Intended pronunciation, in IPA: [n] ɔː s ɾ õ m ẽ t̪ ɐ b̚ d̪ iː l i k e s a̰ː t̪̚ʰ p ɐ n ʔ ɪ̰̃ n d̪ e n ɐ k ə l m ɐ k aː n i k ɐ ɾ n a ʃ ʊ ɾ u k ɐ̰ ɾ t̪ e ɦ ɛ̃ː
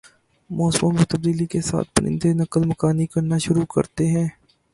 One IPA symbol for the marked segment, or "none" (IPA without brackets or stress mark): m